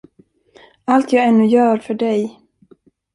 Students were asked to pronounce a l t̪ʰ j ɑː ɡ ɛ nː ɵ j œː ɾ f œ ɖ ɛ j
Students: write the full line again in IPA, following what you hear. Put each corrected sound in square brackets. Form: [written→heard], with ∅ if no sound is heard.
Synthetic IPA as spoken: a l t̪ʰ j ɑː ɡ ɛ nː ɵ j œː ɾ f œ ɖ ɛ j